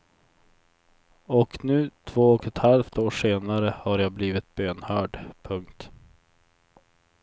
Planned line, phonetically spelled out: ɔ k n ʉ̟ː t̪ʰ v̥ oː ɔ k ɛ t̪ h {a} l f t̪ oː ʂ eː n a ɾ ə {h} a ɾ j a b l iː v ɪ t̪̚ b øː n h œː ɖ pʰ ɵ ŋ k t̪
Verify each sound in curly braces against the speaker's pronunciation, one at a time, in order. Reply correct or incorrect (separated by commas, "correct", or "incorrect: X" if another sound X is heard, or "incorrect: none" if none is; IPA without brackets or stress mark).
correct, correct